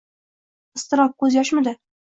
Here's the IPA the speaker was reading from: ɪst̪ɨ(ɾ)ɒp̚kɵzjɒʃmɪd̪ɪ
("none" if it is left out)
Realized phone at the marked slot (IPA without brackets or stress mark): ɾ